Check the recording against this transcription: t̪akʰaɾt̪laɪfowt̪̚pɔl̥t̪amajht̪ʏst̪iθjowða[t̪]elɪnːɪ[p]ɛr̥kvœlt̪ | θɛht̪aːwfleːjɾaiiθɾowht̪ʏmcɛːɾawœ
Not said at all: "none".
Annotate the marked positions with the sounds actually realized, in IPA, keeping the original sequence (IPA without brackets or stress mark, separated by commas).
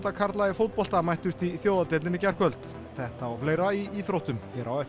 t̪, c